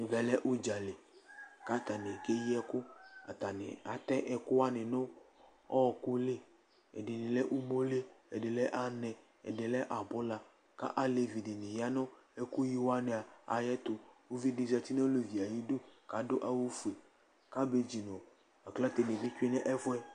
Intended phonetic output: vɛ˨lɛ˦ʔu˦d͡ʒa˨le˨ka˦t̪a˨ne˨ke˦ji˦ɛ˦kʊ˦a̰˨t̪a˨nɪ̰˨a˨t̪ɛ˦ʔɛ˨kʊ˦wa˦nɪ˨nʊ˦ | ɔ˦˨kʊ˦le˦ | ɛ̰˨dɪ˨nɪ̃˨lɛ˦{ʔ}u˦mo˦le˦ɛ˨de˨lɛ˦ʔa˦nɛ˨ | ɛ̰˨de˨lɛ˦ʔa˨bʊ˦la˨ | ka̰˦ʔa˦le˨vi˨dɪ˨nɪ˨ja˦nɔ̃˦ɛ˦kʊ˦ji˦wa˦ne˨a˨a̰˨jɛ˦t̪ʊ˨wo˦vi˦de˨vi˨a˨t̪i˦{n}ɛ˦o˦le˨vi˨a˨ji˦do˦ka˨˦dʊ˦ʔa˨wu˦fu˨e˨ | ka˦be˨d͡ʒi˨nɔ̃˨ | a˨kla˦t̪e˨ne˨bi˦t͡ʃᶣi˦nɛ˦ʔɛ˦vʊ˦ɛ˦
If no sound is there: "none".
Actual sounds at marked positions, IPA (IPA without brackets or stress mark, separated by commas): ʔ, n